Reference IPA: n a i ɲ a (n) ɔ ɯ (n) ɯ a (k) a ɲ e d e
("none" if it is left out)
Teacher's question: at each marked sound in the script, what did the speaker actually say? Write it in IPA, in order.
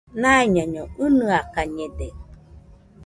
ɲ, n, k

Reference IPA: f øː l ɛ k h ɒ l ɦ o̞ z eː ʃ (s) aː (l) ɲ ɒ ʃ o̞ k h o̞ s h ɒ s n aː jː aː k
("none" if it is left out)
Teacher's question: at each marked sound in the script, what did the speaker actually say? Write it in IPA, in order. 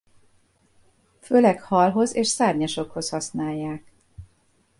s, r

